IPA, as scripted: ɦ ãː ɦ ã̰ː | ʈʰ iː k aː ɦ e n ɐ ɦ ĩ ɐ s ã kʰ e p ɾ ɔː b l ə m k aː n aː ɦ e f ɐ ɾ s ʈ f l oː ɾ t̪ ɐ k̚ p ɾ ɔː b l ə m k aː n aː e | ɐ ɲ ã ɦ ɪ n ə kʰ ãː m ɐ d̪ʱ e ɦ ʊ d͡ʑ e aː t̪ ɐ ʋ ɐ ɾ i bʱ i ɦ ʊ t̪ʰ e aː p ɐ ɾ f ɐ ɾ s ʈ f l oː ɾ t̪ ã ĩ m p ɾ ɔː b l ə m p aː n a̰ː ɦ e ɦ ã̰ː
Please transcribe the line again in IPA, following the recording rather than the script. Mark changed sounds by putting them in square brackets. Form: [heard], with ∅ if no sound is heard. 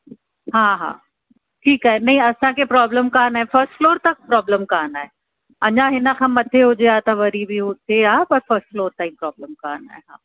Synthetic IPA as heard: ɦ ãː ɦ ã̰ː | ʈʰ iː k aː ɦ e n ɐ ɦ ĩ ɐ s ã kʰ e p ɾ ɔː b l ə m k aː n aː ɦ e f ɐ ɾ s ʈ f l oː ɾ t̪ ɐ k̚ p ɾ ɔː b l ə m k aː n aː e | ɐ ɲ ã ɦ ɪ n ə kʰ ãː m ɐ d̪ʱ e ɦ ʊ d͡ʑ e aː t̪ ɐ ʋ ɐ ɾ i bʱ i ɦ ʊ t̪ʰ e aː p ɐ ɾ f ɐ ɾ s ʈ f l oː ɾ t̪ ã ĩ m p ɾ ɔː b l ə m [k] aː n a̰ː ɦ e ɦ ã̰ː

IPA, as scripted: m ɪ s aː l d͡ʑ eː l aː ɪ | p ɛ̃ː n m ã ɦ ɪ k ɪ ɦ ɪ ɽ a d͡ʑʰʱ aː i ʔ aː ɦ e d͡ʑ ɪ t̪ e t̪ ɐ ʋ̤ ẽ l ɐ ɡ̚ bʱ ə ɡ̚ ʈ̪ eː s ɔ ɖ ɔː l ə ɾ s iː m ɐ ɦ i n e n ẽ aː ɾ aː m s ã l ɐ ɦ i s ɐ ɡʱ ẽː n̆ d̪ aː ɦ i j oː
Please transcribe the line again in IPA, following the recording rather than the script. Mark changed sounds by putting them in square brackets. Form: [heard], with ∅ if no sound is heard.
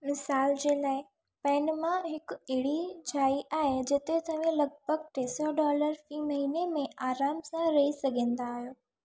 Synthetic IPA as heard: m ɪ s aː l d͡ʑ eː l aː ɪ | p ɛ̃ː n m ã ɦ ɪ k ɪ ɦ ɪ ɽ [i] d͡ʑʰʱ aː i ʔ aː ɦ e d͡ʑ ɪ t̪ e t̪ ɐ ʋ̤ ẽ l ɐ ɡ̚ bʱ ə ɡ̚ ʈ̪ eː s ɔ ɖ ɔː l ə ɾ [f] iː m ɐ ɦ i n e [m] ẽ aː ɾ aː m s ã [ɾ] ɐ ɦ i s ɐ ɡʱ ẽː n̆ d̪ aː ɦ i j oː

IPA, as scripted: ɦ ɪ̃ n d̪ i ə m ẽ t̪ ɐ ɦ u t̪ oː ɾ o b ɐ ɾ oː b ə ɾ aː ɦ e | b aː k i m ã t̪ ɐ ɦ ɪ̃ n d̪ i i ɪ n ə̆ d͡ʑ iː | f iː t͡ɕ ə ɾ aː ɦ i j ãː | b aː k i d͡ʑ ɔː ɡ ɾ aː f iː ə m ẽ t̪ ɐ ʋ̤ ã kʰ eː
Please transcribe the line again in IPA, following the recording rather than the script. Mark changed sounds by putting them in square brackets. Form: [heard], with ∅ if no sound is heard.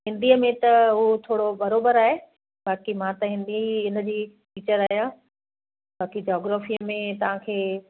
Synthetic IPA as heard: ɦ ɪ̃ n d̪ i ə m ẽ t̪ ɐ ɦ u [t̪ʰ] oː [ɽ] o b ɐ ɾ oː b ə ɾ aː ɦ e | b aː k i m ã t̪ ɐ ɦ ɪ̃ n d̪ i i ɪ n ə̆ d͡ʑ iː | f iː t͡ɕ ə ɾ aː ɦ i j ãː | b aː k i d͡ʑ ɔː ɡ ɾ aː f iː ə m ẽ t̪ ɐ ʋ̤ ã kʰ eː

